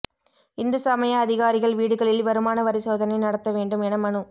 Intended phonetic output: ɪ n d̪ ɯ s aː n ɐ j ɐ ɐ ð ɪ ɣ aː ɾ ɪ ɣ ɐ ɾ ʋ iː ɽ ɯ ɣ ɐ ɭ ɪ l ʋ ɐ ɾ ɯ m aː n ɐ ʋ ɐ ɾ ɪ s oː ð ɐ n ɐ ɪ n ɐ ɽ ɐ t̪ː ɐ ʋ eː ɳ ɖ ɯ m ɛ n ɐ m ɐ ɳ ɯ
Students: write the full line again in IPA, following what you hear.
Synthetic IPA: ɪ n d̪ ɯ s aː m ɐ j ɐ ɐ ð ɪ ɣ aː ɾ ɪ ɣ ɐ ɭ ʋ iː ɽ ɯ ɣ ɐ ɭ ɪ l ʋ ɐ ɾ ɯ m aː n ɐ ʋ ɐ ɾ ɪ s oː ð ɐ n ɐ ɪ n ɐ ɽ ɐ t̪ː ɐ ʋ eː ɳ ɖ ɯ m ɛ n ɐ m ɐ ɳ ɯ